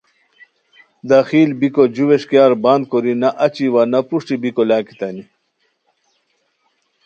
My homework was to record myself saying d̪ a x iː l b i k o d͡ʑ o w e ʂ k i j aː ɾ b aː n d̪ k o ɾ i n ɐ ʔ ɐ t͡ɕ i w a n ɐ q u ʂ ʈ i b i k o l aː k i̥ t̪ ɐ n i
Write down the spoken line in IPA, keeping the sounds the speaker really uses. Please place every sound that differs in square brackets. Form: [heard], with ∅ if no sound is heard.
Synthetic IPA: d̪ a x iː l b i k o d͡ʑ [u] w e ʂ k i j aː ɾ b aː n d̪ k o ɾ i n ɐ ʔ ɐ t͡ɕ i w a n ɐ [p] u ʂ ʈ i b i k o l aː k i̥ t̪ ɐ n i

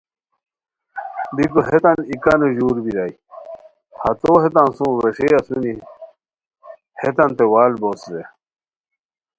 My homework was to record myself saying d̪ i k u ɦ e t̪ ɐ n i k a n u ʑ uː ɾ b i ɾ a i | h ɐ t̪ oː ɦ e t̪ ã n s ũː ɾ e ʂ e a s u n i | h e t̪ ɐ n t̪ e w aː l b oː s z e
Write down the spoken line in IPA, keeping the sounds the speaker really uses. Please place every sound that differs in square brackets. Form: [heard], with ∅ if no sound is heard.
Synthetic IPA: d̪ i k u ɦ e t̪ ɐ n i k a n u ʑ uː ɾ b i ɾ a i | h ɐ t̪ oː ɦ e t̪ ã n s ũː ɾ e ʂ e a s u n i | h e t̪ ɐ n t̪ e w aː l b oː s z e

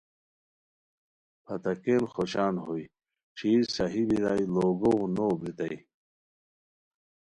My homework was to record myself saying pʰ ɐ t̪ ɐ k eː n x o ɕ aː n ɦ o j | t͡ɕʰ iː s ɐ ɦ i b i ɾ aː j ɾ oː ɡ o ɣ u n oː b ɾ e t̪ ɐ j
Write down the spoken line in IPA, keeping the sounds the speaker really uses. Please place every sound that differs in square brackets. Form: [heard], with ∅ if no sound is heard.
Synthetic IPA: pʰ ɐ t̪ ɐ k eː n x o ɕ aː n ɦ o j | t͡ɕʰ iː s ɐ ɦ i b i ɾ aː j [l] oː ɡ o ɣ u n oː b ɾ [i] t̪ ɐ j

